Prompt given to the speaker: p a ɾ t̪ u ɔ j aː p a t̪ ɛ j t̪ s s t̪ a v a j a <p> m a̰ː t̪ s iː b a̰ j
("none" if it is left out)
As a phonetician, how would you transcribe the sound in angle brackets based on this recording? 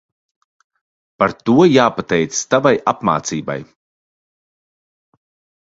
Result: p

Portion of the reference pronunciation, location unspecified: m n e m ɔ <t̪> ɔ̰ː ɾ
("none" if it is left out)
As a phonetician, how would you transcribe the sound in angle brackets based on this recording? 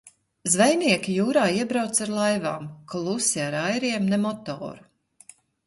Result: t̪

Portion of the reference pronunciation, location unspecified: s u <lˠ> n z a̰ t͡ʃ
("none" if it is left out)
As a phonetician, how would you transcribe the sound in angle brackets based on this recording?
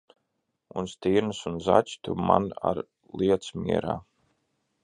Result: none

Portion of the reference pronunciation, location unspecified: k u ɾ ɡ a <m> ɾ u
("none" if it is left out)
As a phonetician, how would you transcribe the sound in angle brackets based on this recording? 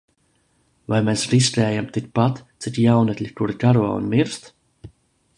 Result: none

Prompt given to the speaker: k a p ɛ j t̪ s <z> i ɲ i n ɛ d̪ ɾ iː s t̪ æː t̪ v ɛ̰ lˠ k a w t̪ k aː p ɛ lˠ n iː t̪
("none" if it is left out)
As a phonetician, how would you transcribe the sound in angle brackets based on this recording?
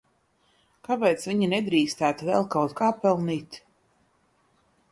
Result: v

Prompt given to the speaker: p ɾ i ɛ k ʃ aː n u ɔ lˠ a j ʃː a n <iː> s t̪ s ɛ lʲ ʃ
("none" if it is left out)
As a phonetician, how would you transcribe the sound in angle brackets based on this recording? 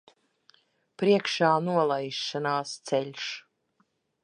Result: aː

